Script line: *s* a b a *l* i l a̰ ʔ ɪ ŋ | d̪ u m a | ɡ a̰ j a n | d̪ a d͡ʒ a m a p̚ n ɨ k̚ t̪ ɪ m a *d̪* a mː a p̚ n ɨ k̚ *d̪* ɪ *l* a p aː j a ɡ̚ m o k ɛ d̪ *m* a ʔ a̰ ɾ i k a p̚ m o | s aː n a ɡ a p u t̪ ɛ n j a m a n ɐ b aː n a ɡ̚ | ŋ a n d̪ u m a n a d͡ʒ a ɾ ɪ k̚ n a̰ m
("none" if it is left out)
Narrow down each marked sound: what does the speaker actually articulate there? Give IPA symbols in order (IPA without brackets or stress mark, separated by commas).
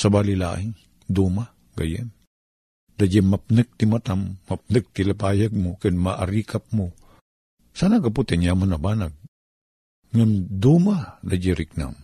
s, l, t̪, t̪, l, m